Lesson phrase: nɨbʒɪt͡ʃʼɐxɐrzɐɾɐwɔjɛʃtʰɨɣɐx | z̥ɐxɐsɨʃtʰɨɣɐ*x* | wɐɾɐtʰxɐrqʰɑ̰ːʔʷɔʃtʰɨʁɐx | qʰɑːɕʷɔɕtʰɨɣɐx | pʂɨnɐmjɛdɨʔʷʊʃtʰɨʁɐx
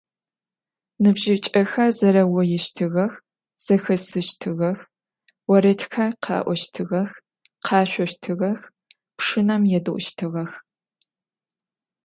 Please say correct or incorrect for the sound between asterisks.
correct